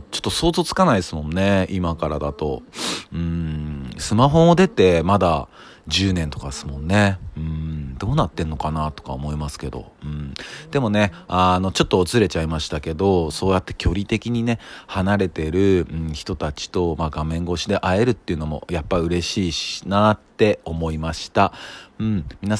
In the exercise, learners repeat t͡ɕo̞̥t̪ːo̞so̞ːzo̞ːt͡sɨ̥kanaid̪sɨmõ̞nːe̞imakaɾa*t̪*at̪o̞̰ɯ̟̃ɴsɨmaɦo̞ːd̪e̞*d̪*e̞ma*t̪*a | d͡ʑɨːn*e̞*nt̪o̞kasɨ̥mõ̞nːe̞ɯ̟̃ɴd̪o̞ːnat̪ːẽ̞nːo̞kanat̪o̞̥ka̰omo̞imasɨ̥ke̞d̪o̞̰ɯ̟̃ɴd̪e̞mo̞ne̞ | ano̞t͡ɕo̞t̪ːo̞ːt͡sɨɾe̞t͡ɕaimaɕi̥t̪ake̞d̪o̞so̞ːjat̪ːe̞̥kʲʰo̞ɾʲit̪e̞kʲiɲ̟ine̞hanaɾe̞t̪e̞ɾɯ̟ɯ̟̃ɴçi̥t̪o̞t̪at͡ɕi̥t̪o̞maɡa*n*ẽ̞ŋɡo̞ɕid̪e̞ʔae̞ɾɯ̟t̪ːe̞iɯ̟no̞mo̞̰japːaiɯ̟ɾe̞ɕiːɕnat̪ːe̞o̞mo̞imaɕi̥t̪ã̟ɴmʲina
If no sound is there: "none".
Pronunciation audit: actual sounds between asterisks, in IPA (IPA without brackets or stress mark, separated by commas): d̪, t̪, d̪, ẽ̞, m